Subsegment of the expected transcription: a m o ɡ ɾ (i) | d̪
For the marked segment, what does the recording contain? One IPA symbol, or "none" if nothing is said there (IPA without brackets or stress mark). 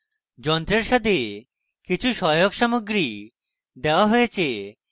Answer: i